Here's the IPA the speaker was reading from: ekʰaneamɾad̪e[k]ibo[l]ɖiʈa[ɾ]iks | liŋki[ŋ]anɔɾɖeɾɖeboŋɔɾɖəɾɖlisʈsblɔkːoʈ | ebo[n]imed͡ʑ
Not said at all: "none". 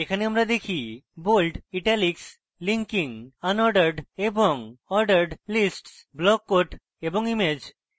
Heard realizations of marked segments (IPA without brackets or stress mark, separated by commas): kʰ, l, l, ŋ, ŋ